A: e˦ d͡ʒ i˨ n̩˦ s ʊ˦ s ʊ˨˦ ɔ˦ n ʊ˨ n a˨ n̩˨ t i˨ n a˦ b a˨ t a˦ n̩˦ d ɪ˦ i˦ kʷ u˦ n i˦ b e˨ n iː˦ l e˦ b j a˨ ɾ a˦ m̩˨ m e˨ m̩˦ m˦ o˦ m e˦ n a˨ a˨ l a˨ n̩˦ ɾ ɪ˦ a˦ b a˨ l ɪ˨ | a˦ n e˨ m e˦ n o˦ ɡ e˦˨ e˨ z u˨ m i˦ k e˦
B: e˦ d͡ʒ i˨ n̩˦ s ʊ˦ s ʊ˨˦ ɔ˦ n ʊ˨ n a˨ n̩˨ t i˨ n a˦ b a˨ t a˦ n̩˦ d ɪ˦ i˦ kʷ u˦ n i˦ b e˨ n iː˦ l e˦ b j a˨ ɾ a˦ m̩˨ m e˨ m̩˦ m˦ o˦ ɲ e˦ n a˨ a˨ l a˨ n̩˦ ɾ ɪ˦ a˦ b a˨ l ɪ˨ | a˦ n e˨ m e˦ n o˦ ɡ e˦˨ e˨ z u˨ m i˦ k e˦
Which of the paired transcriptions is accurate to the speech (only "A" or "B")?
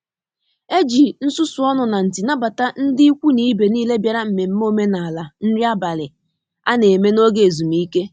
A